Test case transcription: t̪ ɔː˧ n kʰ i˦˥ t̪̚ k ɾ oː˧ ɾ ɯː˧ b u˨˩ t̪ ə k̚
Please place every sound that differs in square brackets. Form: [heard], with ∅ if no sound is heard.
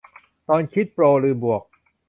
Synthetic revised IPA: t̪ ɔː˧ n kʰ i˦˥ t̪̚ [p] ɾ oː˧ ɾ ɯː˧ b u˨˩ [∅] ə k̚